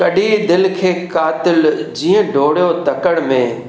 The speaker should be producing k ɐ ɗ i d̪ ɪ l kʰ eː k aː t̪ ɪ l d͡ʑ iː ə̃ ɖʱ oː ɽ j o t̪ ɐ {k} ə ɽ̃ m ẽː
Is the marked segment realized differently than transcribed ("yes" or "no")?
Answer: no